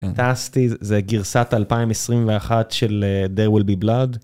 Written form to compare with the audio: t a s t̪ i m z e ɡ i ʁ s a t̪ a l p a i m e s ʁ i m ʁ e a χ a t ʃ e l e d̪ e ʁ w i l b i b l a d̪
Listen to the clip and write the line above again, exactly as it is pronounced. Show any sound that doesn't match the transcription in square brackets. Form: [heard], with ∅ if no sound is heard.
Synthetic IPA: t a s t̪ i [∅] z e ɡ i ʁ s a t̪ a l p a i m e s ʁ i m [v] e a χ a t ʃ e l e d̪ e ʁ w i l b i b l a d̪